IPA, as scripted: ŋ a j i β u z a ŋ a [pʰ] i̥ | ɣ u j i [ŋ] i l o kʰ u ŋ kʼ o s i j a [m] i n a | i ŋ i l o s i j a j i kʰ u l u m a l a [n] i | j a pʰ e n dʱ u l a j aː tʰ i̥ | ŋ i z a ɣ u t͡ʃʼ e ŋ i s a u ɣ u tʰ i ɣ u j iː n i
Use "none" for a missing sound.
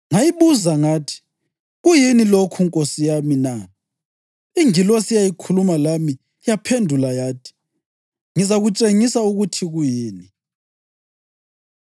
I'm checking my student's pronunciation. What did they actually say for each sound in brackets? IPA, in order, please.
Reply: tʰ, n, m, m

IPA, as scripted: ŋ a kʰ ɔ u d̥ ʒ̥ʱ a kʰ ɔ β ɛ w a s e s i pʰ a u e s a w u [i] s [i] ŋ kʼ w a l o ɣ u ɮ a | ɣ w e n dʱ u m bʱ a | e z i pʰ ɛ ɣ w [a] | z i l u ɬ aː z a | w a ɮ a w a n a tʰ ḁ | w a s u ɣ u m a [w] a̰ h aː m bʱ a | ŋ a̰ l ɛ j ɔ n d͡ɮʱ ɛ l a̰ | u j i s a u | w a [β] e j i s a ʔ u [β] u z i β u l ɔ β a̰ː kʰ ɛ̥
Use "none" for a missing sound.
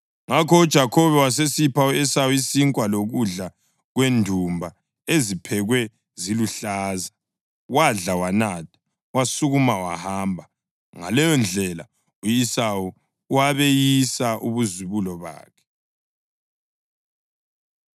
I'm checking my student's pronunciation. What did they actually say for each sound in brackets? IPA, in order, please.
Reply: i, i, ɛ, w, β, β

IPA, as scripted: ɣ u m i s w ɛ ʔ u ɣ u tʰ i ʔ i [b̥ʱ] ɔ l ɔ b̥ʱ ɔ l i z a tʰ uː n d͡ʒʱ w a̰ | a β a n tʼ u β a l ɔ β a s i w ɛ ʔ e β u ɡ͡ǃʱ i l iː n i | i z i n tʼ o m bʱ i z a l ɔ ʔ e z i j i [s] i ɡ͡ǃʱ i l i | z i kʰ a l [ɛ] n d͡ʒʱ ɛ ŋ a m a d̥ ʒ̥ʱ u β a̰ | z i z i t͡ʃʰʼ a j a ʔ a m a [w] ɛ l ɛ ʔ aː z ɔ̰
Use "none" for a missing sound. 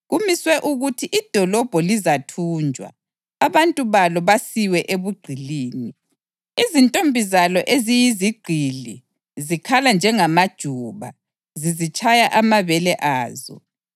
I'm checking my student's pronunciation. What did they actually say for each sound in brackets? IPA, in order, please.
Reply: d̥ʱ, z, a, β

